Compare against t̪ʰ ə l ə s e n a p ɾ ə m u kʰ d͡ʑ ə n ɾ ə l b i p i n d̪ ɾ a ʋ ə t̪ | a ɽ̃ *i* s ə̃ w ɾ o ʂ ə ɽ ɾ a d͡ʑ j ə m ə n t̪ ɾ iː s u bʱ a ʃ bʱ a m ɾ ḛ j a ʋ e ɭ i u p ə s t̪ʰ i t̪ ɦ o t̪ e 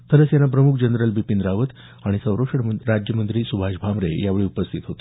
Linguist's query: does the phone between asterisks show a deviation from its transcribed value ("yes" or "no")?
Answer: no